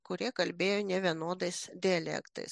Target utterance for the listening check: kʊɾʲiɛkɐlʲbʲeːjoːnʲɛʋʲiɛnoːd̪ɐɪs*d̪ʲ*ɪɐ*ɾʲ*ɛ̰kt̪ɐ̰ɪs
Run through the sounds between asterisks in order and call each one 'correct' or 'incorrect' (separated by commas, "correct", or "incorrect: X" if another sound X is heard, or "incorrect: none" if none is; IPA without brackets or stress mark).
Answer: correct, incorrect: lʲ